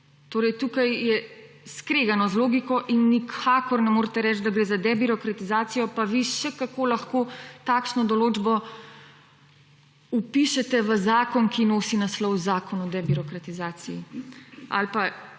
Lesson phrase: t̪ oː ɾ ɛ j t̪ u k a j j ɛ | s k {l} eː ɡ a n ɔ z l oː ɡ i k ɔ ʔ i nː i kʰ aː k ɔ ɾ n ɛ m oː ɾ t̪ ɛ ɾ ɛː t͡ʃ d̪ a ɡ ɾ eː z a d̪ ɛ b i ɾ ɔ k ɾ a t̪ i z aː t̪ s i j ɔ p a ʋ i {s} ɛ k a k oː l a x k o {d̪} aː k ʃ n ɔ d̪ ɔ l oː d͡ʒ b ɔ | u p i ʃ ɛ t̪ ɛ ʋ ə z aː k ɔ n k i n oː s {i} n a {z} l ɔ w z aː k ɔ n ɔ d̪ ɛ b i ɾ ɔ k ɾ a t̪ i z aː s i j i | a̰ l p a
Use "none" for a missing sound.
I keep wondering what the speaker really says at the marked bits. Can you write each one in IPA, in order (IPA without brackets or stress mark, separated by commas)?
ɾ, ʃ, t̪, i, s